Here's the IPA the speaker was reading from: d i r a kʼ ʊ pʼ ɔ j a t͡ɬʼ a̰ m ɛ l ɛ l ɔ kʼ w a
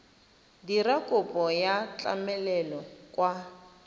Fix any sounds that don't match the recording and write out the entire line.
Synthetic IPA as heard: d i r a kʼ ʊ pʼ ɔ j a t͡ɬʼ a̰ m ɛ l ɛ l ɔ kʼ w a